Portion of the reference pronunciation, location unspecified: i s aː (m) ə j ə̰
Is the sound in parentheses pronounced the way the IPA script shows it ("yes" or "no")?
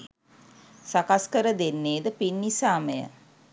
yes